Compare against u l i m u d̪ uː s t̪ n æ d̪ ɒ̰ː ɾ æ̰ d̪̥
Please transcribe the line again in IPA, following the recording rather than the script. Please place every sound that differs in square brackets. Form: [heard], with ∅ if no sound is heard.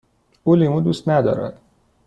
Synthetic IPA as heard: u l i m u d̪ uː s t̪ n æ d̪ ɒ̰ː ɾ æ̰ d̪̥